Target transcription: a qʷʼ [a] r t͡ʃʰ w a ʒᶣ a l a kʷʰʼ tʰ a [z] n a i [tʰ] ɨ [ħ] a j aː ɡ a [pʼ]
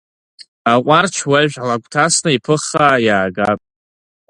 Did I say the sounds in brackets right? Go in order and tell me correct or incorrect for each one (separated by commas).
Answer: correct, incorrect, incorrect, incorrect, correct